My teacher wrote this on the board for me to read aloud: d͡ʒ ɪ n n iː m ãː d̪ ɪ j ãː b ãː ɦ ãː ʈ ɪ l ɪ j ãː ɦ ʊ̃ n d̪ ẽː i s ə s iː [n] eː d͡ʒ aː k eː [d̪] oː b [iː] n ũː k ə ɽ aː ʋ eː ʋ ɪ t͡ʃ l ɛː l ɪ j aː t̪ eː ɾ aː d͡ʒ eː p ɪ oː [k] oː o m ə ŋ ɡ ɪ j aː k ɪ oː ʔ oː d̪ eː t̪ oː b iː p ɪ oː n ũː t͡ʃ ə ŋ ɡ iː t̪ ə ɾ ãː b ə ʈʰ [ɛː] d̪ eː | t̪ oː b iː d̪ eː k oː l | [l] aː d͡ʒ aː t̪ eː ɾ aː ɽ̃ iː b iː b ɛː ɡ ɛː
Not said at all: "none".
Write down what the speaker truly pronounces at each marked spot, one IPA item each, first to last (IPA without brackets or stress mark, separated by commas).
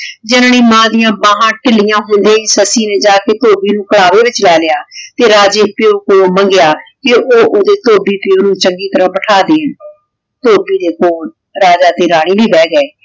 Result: n, t̪, iː, k, aː, ɾ